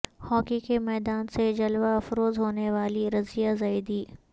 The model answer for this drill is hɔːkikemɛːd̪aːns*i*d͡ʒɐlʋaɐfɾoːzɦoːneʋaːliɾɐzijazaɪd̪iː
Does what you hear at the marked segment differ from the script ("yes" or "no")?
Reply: yes